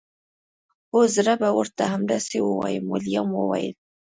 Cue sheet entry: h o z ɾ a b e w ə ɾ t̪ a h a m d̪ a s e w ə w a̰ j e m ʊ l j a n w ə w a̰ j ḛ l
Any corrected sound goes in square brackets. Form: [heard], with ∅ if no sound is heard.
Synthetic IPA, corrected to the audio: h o z ɾ a b [a] w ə ɾ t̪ a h a m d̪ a s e w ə w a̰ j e m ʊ l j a [m] w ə w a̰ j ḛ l